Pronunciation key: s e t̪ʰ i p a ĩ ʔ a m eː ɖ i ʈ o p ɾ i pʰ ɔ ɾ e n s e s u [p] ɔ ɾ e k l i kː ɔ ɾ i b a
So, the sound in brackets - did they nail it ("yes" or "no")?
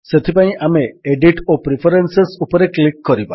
yes